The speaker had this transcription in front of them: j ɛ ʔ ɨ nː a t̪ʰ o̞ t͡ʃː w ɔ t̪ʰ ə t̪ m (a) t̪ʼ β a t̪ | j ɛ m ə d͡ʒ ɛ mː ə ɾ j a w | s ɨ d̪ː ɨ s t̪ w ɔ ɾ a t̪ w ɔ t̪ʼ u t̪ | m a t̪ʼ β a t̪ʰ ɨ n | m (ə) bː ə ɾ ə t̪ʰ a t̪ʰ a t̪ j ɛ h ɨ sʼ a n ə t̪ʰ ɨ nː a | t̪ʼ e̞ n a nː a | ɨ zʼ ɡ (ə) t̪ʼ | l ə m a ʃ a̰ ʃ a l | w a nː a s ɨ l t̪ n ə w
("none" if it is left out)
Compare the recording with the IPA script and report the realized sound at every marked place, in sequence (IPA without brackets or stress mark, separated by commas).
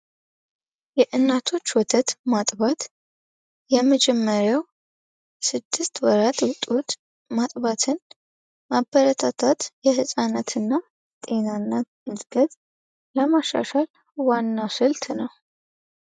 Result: a, a, ə